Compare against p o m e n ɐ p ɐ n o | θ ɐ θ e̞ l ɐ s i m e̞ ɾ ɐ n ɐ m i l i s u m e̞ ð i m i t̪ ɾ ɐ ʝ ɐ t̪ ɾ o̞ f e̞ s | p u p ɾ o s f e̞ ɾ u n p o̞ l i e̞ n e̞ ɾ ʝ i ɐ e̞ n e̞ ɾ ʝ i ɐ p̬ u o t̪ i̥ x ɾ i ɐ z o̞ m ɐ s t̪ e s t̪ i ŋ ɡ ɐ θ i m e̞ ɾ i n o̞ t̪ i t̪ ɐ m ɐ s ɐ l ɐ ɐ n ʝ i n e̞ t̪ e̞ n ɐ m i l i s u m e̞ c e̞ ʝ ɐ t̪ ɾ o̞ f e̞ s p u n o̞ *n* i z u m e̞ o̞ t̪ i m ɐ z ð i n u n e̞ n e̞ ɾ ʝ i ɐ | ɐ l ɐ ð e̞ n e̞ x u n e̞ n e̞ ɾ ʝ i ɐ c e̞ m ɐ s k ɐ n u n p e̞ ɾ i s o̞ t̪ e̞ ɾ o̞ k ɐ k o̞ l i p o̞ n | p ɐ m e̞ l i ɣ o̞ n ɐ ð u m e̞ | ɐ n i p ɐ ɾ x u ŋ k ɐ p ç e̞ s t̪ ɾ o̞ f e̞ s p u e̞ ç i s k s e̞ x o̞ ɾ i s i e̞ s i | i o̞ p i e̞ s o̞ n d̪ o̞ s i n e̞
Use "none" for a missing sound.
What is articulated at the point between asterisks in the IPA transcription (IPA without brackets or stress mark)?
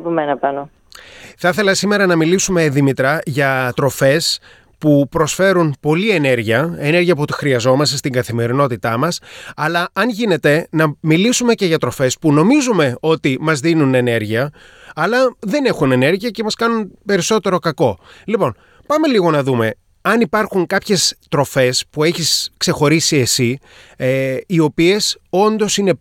m